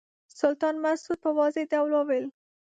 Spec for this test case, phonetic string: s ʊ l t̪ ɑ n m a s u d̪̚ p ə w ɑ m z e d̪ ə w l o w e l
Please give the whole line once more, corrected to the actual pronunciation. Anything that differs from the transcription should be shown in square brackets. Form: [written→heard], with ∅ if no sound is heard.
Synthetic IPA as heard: s ʊ l t̪ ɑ n m a s u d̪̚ p ə w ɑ [m→∅] z e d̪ [ə→a] w l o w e l